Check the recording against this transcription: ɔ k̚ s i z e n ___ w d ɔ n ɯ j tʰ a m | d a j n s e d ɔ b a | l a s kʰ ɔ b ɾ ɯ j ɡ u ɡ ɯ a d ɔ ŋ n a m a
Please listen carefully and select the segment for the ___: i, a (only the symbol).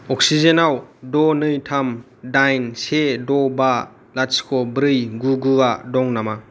a